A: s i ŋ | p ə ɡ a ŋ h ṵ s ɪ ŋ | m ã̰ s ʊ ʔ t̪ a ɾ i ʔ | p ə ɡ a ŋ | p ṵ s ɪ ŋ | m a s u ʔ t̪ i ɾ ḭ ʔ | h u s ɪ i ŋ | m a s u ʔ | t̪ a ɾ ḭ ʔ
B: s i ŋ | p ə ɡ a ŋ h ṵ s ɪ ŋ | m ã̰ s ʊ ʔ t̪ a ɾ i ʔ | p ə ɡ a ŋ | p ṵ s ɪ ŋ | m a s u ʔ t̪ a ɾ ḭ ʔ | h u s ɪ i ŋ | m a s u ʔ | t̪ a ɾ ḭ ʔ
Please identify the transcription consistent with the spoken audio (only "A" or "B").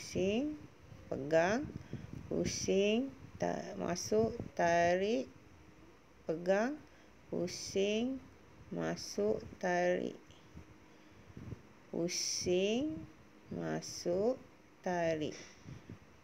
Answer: B